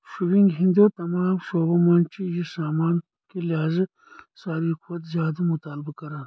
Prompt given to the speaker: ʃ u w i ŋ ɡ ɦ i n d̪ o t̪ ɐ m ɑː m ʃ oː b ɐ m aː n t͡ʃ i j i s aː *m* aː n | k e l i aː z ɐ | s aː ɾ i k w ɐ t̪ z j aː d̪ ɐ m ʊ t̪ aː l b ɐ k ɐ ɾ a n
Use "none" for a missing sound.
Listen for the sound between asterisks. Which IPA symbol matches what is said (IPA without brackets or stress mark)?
m